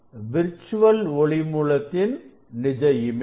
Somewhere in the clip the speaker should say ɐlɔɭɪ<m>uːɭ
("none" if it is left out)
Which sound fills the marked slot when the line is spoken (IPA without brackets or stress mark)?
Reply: m